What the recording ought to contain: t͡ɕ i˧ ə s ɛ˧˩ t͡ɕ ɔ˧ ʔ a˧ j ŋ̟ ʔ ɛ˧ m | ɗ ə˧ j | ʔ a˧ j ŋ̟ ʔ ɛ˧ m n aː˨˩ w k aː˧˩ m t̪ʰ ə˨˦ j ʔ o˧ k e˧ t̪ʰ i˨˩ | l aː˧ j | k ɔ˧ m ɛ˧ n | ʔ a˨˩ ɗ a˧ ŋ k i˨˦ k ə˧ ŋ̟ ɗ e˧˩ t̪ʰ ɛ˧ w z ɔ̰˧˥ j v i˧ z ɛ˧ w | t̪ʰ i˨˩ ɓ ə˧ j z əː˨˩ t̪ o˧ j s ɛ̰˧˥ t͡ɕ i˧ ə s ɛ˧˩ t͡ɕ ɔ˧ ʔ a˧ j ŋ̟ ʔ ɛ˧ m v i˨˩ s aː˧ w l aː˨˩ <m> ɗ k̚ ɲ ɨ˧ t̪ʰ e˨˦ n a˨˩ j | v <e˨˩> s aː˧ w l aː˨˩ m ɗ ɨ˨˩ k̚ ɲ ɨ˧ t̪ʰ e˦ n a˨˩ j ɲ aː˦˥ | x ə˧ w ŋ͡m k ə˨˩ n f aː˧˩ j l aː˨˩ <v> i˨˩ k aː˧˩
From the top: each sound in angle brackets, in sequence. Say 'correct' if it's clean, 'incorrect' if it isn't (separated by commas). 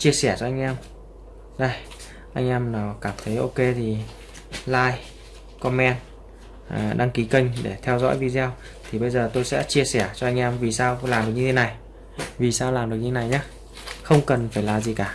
correct, incorrect, incorrect